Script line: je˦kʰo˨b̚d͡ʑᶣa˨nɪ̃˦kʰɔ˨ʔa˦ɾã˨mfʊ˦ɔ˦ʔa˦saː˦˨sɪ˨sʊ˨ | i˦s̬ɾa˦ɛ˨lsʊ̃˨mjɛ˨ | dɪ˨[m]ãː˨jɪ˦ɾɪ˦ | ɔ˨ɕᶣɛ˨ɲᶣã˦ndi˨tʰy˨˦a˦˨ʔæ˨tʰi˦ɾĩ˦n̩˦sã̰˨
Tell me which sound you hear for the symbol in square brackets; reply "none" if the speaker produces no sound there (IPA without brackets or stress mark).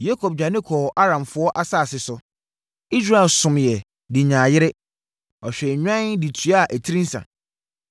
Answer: ɲ